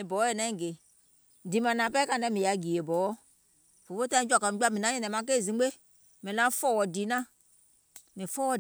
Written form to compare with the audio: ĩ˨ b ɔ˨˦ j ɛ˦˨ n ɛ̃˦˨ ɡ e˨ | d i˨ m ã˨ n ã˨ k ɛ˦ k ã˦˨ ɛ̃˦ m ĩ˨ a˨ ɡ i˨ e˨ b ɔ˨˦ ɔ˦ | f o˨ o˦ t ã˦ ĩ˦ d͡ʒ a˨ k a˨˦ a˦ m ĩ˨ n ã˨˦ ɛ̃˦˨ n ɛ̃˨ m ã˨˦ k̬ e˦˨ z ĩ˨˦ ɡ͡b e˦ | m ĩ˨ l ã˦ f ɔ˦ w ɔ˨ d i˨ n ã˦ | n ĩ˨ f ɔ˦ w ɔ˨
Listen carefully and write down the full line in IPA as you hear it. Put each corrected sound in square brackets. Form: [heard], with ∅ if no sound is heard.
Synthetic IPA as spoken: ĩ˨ b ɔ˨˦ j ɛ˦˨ n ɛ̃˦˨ ɡ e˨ | d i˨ m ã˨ n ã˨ [p] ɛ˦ k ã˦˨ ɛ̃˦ m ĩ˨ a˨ ɡ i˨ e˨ b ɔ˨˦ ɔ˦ | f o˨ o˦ t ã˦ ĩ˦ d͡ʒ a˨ k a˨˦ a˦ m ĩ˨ n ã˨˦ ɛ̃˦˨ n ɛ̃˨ m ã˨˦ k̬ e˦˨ z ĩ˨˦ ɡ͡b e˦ | m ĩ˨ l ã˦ f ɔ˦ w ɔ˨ d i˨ n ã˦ | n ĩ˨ f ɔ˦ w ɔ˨